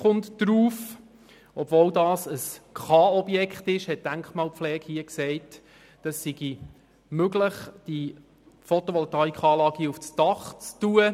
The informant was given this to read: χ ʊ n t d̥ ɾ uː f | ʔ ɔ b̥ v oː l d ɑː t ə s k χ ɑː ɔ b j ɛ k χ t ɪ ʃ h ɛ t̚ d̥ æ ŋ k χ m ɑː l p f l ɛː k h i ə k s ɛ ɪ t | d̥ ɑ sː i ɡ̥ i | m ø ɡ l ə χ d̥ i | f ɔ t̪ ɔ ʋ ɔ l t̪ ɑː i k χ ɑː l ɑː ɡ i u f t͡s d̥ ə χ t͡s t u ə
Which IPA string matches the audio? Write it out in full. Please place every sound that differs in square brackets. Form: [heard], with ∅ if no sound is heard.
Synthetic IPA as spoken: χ ʊ n t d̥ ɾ uː f | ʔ ɔ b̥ v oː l d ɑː [s] ə s k χ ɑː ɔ b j ɛ k χ t ɪ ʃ h ɛ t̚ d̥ æ ŋ k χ m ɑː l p f l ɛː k h i ə k s ɛ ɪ t | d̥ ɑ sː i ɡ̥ i | m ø ɡ l ə χ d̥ i | f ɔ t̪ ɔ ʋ ɔ l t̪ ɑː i k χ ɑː l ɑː ɡ i u f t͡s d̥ [ɑ] χ t͡s t u ə